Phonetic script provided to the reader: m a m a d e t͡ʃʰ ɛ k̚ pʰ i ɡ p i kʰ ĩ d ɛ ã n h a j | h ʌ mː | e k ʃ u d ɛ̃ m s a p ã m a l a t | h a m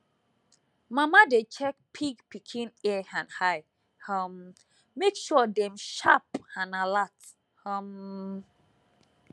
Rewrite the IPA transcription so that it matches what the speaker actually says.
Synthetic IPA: m a m a d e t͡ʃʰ ɛ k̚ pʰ i ɡ p i kʰ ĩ n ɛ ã n h a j | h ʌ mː | e k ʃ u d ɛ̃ m ʃ a p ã n a l a t | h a m